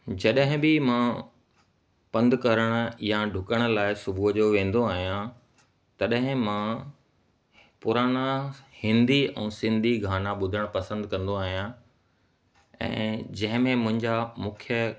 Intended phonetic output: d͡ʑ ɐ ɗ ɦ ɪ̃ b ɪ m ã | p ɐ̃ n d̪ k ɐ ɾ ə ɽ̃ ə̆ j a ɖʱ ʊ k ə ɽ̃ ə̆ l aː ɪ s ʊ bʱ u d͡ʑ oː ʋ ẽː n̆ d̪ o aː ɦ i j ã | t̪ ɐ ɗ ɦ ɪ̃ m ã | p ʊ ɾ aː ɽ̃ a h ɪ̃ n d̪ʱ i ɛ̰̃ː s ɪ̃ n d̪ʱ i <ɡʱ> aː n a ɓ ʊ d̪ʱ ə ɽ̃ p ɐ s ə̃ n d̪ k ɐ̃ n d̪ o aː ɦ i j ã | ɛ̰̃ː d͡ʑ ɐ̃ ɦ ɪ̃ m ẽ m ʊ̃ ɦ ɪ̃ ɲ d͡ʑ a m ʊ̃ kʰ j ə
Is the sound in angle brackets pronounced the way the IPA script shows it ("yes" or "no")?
yes